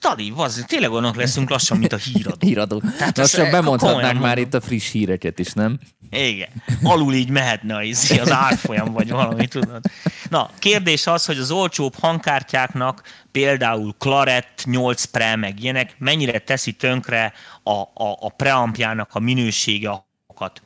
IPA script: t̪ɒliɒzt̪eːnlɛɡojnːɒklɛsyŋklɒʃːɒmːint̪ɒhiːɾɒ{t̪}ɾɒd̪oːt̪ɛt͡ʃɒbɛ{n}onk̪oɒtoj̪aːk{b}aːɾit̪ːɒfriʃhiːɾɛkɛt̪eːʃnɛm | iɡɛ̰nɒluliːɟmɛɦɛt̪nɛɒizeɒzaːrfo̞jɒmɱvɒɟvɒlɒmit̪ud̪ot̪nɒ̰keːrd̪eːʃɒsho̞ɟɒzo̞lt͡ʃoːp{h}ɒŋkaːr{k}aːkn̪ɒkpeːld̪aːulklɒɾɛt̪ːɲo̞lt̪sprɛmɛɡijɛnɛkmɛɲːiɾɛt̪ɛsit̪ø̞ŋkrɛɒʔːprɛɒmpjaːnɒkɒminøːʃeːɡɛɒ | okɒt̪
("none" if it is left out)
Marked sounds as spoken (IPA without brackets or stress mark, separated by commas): d̪, m, m, h, c